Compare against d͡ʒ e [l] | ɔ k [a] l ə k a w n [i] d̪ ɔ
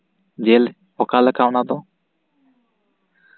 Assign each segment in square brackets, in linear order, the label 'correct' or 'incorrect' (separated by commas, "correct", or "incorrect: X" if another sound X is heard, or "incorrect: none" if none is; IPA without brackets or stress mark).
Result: correct, correct, incorrect: a